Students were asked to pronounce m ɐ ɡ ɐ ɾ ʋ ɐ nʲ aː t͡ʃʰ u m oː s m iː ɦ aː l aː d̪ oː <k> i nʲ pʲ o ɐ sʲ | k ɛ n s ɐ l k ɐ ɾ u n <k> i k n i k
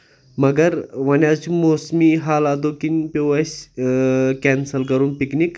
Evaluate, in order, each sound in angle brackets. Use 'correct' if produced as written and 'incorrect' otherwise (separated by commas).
correct, incorrect